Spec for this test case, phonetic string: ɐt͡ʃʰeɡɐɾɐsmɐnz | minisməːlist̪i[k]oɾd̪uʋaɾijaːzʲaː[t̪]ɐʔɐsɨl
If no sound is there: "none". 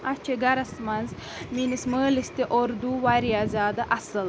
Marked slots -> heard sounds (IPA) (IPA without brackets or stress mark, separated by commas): ʔ, d̪